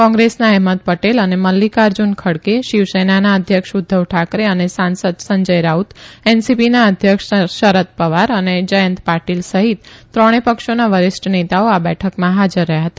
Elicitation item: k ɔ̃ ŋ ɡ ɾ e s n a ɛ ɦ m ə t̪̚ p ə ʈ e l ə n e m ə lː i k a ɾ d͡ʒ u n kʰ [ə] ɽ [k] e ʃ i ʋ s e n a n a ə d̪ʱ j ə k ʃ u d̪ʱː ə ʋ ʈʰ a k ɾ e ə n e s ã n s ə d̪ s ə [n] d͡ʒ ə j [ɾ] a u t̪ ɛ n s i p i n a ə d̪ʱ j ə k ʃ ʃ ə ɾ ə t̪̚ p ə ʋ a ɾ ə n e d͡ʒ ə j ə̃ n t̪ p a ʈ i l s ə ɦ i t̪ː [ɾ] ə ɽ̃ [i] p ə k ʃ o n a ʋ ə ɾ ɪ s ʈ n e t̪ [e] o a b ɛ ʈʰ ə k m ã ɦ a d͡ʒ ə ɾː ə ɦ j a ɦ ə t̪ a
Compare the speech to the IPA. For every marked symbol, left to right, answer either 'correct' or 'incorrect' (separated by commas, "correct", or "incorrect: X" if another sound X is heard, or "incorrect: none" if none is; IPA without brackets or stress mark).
correct, correct, incorrect: ɲ, correct, correct, incorrect: e, incorrect: a